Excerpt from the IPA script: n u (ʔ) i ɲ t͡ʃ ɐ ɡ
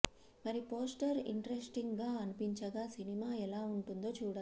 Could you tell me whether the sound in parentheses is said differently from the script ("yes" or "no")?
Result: yes